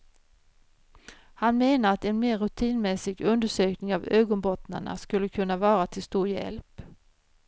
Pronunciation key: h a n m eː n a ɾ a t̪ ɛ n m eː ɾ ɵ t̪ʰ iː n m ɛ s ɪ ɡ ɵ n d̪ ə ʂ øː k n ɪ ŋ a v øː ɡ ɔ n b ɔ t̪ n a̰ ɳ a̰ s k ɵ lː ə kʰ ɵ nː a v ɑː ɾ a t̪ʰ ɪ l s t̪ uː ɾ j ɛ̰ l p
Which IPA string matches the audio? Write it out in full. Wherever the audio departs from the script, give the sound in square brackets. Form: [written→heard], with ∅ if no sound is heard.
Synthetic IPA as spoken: h a n m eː n a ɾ a t̪ ɛ n m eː ɾ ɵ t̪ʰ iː n m ɛ s ɪ ɡ ɵ n d̪ ə ʂ øː k n ɪ ŋ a v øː ɡ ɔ n b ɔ t̪ n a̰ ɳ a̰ s k ɵ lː ə kʰ ɵ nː a v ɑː ɾ a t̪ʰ ɪ l s t̪ uː ɾ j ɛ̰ l p